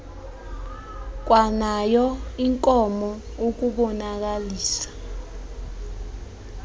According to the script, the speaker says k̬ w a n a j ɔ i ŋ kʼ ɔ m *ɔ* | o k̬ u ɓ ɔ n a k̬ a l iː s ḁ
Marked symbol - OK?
yes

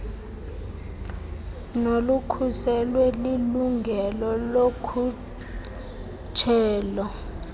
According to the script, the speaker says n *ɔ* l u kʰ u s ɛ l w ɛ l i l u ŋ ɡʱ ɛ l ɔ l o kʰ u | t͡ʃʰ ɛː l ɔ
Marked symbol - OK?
no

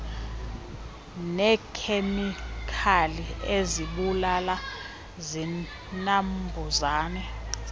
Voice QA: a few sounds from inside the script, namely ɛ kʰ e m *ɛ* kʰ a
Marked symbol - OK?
no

